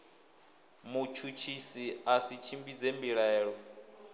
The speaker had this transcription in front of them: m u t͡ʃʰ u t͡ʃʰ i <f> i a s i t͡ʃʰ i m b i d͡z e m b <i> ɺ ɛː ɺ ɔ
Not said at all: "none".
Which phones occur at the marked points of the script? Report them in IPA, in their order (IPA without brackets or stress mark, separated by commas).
s, i